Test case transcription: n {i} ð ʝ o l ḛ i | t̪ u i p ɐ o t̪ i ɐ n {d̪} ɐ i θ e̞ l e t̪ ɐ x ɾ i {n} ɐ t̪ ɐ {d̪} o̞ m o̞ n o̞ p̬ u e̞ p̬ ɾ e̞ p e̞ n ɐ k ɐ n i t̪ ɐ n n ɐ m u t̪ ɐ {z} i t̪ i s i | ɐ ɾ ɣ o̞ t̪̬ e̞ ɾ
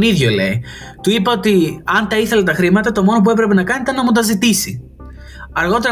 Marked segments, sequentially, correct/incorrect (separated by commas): correct, incorrect, incorrect, incorrect, correct